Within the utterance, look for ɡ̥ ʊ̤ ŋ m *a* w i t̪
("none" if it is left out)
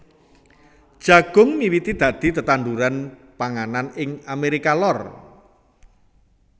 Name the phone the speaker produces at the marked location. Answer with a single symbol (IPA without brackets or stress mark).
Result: i